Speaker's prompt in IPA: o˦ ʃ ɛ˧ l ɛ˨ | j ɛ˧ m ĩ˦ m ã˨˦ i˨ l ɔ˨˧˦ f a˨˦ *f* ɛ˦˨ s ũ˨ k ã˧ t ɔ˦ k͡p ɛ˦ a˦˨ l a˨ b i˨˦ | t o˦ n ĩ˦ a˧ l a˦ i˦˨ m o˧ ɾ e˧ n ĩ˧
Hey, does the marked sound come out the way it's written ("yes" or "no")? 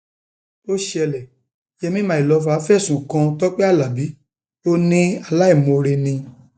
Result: yes